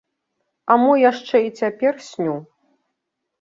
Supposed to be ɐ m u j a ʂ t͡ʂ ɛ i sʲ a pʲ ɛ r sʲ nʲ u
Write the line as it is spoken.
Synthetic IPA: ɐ m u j a ʂ t͡ʂ ɛ i t͡sʲ a pʲ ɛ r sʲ nʲ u